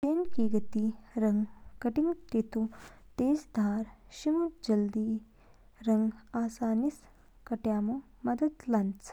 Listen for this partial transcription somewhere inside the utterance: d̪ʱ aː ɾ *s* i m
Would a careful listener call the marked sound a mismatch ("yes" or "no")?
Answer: yes